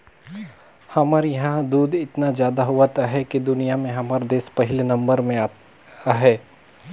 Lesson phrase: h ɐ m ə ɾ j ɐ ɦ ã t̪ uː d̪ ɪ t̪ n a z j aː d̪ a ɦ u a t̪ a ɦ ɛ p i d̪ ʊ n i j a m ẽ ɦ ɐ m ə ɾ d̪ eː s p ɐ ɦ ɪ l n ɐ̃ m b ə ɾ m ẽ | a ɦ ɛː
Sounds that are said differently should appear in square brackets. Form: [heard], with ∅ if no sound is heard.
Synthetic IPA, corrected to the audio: h ɐ m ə ɾ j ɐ ɦ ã [d̪] uː d̪ ɪ t̪ n a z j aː d̪ a ɦ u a t̪ a ɦ ɛ [k] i d̪ ʊ n i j a m ẽ ɦ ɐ m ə ɾ d̪ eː s p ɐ ɦ ɪ l n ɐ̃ m b ə ɾ m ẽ | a ɦ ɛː